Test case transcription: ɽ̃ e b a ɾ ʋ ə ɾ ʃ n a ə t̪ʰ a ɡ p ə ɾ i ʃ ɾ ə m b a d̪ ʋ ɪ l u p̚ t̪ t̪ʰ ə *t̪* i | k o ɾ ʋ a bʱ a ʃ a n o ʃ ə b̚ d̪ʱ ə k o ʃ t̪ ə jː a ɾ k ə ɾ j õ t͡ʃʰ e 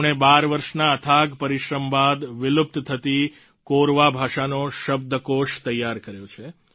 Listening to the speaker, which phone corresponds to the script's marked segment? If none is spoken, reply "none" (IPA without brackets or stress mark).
t̪